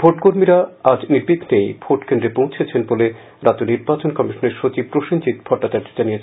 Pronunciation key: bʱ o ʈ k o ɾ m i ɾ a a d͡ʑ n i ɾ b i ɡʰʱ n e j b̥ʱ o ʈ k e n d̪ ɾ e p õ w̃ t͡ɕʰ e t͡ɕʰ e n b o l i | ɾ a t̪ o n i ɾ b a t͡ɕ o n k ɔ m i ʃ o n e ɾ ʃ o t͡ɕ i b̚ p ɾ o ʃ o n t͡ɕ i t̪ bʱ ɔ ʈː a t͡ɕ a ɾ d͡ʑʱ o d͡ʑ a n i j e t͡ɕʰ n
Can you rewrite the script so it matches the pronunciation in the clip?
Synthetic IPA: bʱ o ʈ k o ɾ m i ɾ a a d͡ʑ n i ɾ b i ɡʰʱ n e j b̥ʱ o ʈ k e n d̪ ɾ e p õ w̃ t͡ɕʰ e t͡ɕʰ e n b o l e | ɾ a t̪ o n i ɾ b a t͡ɕ o n k ɔ m i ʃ o n e ɾ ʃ o t͡ɕ i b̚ p ɾ o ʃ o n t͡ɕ i t̪ bʱ ɔ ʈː a t͡ɕ a ɾ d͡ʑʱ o d͡ʑ a n i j e t͡ɕʰ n